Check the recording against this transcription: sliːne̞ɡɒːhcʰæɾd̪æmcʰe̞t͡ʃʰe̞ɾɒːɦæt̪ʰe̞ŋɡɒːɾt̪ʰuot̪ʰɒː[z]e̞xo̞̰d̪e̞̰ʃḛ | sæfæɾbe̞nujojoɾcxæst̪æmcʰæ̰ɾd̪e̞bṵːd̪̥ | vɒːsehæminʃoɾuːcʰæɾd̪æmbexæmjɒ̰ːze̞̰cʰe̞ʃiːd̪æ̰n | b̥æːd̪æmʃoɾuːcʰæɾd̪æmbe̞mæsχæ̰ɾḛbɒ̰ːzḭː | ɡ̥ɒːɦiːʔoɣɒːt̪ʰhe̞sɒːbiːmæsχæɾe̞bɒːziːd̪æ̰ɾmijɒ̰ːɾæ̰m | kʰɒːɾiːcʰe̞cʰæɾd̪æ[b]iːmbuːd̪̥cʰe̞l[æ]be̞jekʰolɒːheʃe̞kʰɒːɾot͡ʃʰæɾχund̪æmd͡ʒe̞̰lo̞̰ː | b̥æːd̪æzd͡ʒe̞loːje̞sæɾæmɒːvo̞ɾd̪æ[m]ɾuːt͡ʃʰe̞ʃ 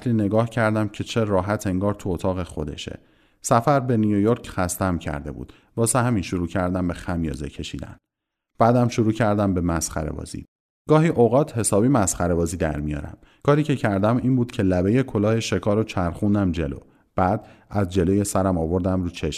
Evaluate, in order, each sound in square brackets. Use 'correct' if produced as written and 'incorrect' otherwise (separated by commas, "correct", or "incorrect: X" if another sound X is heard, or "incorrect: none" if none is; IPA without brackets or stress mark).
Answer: incorrect: ɣ, incorrect: m, correct, correct